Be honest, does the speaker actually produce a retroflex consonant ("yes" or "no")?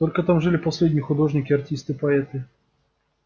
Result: yes